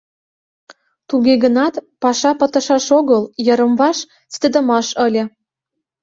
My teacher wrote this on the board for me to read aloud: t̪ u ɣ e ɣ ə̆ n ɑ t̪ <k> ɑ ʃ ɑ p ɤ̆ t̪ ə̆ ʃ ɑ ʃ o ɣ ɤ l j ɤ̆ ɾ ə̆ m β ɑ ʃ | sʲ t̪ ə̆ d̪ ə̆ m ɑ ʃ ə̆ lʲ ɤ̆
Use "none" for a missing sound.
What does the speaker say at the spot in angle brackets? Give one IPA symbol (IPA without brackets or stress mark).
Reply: p